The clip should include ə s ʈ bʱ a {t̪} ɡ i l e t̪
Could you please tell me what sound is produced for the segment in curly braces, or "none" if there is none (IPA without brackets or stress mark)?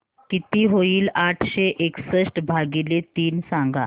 none